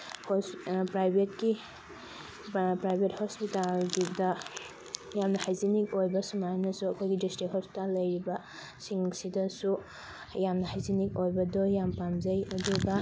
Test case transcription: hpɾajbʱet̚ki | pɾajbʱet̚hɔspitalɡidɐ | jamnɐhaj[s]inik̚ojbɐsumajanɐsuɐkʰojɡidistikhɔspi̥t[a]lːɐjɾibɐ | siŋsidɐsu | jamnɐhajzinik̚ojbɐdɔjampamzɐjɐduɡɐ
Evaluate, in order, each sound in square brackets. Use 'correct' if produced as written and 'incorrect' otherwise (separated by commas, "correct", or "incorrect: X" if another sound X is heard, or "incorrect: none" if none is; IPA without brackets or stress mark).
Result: incorrect: z, correct